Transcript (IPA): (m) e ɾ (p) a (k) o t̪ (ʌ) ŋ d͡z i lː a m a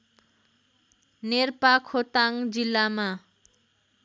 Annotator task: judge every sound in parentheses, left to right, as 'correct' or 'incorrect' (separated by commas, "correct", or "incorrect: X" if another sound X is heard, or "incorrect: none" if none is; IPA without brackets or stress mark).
incorrect: n, correct, incorrect: kʰ, incorrect: a